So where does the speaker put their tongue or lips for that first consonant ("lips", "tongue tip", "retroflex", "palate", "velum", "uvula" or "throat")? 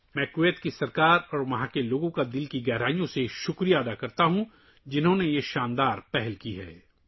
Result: lips